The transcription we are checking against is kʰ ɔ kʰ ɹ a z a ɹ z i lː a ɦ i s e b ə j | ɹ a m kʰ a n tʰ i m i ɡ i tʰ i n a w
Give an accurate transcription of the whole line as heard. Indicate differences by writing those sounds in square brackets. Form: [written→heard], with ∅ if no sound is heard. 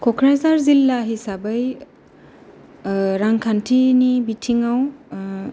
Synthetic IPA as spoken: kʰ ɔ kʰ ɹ a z a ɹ z i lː a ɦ i s [e→a] b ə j | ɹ a [m→ŋ] kʰ a n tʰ i [m→n] i [ɡ→b] i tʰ i [n→ŋ] a w